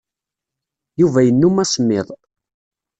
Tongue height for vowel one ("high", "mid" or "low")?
high